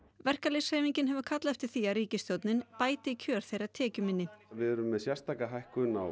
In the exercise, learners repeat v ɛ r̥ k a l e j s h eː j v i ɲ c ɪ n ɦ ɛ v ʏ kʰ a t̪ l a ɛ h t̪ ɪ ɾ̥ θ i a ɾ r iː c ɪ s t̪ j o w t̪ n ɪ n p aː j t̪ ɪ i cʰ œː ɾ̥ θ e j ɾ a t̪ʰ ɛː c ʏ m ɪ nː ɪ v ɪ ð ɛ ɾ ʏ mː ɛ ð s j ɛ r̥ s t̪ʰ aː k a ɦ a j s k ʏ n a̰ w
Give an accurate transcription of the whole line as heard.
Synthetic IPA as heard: v ɛ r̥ k a l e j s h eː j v i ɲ c ɪ n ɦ ɛ v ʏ kʰ a t̪ l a ɛ f t̪ ɪ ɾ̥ θ i a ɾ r iː c ɪ s t̪ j o w t̪ n ɪ n p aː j t̪ ɪ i cʰ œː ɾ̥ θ e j ɾ a t̪ʰ ɛː c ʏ m ɪ nː ɪ v ɪ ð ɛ ɾ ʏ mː ɛ ð s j ɛ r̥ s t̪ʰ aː k a ɦ a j h k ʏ n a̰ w